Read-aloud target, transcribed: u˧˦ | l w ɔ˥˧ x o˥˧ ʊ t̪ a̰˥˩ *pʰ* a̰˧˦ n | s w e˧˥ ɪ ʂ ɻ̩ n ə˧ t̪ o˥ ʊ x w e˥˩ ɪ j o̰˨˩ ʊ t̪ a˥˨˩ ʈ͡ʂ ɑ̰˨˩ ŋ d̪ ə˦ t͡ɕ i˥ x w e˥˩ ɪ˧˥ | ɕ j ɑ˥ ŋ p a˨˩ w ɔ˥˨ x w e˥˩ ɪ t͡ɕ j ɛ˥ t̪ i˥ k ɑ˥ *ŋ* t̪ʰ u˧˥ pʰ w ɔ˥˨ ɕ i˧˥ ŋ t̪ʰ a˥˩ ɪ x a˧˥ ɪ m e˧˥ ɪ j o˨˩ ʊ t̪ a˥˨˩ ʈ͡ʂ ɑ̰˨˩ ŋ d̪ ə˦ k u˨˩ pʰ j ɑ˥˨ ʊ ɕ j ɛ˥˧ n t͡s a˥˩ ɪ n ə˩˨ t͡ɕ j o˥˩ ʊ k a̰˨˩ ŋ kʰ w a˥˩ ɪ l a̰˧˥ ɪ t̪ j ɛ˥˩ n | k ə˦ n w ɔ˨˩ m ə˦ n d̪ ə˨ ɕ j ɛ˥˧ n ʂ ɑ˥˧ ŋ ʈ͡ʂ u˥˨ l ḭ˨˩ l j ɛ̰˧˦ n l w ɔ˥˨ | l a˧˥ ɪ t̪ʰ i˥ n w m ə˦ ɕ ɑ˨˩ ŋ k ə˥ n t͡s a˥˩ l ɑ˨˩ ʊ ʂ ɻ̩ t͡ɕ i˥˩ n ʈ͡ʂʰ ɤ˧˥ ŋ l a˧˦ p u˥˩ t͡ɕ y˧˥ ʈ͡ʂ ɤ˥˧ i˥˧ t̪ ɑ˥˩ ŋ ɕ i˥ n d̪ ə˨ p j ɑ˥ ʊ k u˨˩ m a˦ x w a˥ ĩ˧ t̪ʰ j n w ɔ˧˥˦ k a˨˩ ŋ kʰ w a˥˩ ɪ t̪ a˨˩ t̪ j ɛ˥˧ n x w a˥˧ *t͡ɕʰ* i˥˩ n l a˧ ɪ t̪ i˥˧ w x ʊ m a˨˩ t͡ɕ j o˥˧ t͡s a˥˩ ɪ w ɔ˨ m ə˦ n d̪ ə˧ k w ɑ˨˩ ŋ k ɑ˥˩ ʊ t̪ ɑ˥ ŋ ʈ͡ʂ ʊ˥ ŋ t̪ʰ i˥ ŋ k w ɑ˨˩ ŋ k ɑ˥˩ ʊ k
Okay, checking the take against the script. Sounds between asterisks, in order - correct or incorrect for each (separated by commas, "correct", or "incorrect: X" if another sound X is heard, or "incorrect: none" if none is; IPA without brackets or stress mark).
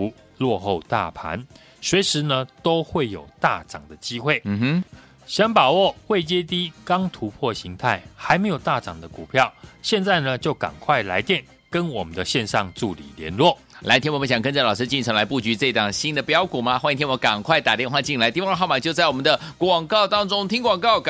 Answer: correct, correct, incorrect: t͡ɕ